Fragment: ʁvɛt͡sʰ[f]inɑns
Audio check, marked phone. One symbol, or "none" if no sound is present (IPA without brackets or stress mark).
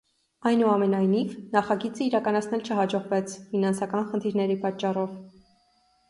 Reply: f